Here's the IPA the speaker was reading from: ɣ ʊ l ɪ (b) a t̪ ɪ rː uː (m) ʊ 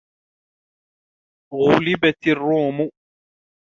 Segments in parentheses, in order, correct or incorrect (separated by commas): correct, correct